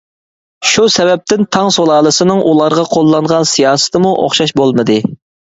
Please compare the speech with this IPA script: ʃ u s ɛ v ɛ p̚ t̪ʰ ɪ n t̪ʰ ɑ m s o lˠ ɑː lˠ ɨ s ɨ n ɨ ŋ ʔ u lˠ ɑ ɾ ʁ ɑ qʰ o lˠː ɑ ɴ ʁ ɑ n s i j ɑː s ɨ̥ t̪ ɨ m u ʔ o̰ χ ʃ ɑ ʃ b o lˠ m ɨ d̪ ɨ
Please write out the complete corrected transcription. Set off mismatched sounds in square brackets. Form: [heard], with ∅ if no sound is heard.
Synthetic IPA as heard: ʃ u s ɛ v ɛ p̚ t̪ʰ ɪ n t̪ʰ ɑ [ŋ] s o lˠ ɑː lˠ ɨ s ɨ n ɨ ŋ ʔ u lˠ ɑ ɾ ʁ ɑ qʰ o lˠː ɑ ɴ ʁ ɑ n s i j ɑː s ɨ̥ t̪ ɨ m u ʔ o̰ χ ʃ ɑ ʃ b o lˠ m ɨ d̪ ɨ